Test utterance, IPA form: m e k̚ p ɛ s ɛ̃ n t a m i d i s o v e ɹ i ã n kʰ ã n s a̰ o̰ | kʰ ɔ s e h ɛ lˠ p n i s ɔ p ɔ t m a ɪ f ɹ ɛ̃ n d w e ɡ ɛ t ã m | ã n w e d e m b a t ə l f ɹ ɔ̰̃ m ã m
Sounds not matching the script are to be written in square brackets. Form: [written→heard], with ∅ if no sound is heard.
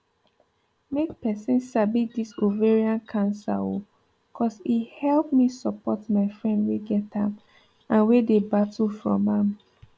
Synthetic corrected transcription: m e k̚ p ɛ s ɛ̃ n [t→s] a [m→b] i d i s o v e ɹ i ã n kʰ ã n s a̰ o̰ | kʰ ɔ s [e→i] h ɛ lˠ p [n→m] i s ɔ p ɔ t m a ɪ f ɹ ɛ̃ n d w e ɡ ɛ t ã m | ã n w e d e [m→∅] b a t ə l f ɹ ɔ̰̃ m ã m